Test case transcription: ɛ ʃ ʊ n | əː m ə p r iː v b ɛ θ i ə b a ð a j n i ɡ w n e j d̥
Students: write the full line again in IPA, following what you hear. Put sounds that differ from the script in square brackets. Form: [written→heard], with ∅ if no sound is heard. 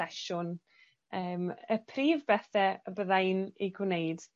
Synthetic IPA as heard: ɛ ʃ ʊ n | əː m ə [p→pʰ] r iː v b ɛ θ [i→ɛ] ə b [a→ə] ð a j n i ɡ w n e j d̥